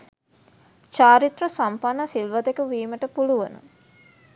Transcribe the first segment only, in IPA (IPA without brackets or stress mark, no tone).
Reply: t͡ʃ